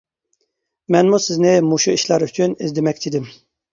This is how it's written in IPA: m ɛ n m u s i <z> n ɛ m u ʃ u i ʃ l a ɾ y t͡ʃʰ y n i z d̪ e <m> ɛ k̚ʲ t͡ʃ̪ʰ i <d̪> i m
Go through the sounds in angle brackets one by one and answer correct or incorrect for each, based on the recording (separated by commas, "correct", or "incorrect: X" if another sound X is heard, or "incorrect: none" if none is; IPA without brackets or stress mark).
correct, correct, correct